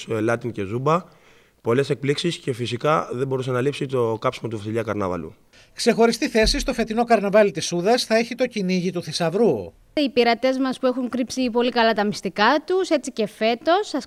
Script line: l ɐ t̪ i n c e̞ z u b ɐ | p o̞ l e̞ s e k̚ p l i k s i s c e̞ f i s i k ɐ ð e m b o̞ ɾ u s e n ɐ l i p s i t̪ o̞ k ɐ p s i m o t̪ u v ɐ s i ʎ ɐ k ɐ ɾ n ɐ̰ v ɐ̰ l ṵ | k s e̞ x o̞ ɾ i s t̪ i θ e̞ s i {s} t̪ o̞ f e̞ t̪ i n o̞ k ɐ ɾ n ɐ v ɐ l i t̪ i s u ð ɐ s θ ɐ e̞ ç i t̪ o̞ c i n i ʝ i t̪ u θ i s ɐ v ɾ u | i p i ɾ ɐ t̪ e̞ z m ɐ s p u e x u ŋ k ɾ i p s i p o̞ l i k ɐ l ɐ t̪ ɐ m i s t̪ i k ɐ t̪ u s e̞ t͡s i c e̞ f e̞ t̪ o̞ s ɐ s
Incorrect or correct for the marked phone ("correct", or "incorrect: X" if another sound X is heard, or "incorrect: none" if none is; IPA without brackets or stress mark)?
correct